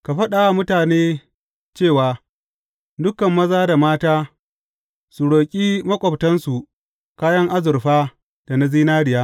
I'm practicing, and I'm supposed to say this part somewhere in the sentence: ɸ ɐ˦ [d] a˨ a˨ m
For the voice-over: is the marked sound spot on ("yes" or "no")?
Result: no